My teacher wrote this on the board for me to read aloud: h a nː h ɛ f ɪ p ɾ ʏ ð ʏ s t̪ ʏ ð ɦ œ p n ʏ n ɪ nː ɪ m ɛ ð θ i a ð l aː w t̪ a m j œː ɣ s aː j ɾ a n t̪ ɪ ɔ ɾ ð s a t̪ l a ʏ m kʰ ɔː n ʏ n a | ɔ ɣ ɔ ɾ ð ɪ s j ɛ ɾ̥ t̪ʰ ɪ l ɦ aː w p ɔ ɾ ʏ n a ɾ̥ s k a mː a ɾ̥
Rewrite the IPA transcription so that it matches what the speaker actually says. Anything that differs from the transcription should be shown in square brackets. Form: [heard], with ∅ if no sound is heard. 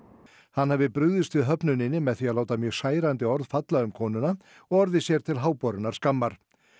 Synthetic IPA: h a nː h ɛ [v] ɪ p ɾ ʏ ð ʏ s t̪ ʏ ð ɦ œ p n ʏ n ɪ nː ɪ m ɛ ð θ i a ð l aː w t̪ a m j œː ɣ s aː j ɾ a n t̪ ɪ ɔ ɾ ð [f] a t̪ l a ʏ m kʰ ɔː n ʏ n a | ɔ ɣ ɔ ɾ ð ɪ s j ɛ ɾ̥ t̪ʰ ɪ l ɦ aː w p ɔ ɾ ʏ n a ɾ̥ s k a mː a ɾ̥